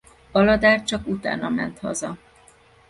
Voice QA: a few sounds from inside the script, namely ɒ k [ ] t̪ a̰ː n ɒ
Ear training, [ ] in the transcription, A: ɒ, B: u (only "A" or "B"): B